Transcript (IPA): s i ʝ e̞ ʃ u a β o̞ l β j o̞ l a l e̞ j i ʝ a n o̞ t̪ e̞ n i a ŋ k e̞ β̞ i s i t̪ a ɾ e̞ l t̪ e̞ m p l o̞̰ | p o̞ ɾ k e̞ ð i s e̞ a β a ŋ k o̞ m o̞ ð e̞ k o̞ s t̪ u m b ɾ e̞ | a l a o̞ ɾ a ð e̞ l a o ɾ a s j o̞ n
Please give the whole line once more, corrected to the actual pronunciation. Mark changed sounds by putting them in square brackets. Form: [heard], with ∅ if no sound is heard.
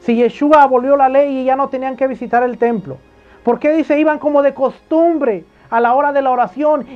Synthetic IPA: s i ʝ e̞ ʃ u a β o̞ l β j o̞ l a l e̞ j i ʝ a n o̞ t̪ e̞ n i a ŋ k e̞ β̞ i s i t̪ a ɾ e̞ l t̪ e̞ m p l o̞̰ | p o̞ ɾ k e̞ ð i s e̞ [i] β a ŋ k o̞ m o̞ ð e̞ k o̞ s t̪ u m b ɾ e̞ | a l a o̞ ɾ a ð e̞ l a o ɾ a s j o̞ n